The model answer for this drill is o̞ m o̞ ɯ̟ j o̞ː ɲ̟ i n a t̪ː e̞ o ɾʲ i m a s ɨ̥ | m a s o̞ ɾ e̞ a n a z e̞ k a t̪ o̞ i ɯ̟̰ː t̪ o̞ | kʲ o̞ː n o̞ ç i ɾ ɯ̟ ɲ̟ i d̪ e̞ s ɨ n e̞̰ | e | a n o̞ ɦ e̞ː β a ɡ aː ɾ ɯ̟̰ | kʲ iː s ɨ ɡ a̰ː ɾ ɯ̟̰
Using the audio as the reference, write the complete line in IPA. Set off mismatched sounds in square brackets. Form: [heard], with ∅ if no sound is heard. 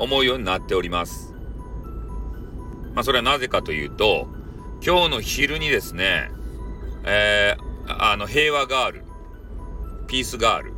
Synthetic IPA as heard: o̞ m o̞ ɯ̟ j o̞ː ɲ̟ i n a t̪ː e̞ o ɾʲ i m a s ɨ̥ | m a s o̞ ɾ e̞ a n a z e̞ k a t̪ o̞ [j] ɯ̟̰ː t̪ o̞ | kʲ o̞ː n o̞ ç i ɾ ɯ̟ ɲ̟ i d̪ e̞ s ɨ n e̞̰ | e | a n o̞ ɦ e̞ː β a ɡ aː ɾ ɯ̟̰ | [pʲ] iː s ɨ ɡ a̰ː ɾ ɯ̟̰